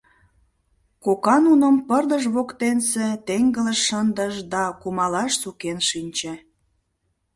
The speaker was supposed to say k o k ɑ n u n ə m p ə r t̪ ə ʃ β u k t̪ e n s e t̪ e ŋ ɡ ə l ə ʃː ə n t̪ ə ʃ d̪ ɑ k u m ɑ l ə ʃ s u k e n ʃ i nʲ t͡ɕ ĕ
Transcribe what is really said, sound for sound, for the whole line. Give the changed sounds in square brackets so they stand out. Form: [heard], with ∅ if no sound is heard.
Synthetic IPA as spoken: k o k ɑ n u n ə m p ə r [d̪] ə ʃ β [o] k t̪ e n s e t̪ e ŋ ɡ ə l ə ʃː ə n [d̪] ə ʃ d̪ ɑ k u m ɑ l [ɑ] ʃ s u k e n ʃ i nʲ t͡ɕ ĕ